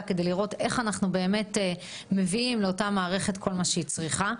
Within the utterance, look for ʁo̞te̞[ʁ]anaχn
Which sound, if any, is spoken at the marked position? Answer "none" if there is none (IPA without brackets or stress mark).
χ